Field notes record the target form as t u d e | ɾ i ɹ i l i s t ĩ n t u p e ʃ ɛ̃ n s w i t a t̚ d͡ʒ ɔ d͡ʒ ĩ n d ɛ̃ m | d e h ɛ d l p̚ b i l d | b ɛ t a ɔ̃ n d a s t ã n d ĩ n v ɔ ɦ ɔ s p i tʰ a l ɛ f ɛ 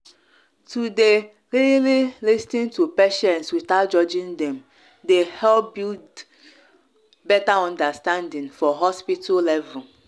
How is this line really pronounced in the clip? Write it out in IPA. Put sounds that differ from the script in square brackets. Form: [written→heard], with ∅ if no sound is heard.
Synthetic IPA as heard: t u d e | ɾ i [ɹ→l] i l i s t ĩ n t u p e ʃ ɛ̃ n s w i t a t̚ d͡ʒ ɔ d͡ʒ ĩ n d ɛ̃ m | d e h ɛ [d→∅] l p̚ b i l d | b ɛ t a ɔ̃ n d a s t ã n d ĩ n [v→f] ɔ ɦ ɔ s p i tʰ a l ɛ [f→v] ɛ